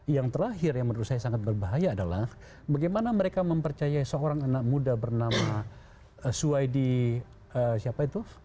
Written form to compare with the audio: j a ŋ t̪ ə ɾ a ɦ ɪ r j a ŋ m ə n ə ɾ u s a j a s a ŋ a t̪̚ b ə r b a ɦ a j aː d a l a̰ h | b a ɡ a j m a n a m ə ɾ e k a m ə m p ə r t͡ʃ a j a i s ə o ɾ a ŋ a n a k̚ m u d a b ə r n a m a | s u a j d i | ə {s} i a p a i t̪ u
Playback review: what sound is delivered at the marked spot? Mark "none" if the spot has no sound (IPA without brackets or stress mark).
s